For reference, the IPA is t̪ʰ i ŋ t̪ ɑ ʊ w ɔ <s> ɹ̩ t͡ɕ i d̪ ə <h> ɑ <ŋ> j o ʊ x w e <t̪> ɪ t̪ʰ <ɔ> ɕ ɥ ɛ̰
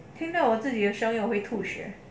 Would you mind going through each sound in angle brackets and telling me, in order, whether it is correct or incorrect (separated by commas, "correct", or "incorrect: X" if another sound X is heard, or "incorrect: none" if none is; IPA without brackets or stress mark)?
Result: incorrect: t͡s, incorrect: ʂ, correct, incorrect: none, incorrect: u